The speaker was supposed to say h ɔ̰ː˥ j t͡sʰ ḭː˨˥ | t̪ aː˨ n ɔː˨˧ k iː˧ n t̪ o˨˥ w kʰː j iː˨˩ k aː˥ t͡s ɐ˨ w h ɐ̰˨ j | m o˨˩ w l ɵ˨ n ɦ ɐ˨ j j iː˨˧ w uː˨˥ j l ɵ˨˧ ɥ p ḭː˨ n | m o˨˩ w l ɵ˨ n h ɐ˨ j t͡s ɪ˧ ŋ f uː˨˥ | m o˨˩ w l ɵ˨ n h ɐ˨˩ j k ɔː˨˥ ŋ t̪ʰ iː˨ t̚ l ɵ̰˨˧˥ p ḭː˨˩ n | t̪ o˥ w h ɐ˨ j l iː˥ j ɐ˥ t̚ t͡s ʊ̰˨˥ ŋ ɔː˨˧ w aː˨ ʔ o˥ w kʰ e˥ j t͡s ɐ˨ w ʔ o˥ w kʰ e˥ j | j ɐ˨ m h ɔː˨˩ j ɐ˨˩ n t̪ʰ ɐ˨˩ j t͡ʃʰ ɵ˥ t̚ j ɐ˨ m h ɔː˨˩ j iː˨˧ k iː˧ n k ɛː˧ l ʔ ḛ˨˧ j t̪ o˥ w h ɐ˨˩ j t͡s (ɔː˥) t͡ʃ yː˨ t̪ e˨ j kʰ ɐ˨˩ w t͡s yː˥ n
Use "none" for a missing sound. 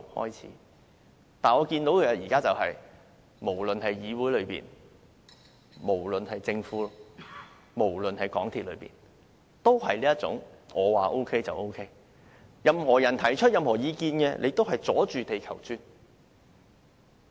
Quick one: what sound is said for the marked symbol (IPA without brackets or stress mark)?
ɔː˨˥